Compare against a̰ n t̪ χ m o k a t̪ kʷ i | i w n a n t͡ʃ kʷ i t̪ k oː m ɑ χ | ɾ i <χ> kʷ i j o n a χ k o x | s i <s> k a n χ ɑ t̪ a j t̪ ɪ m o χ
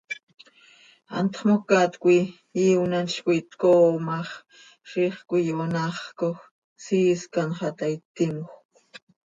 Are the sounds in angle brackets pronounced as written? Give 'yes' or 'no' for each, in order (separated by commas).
yes, yes